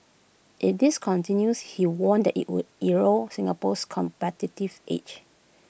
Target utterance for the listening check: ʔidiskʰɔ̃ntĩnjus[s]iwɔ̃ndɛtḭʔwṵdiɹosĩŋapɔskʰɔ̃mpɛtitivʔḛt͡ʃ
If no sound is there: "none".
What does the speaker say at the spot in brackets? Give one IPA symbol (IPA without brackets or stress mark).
h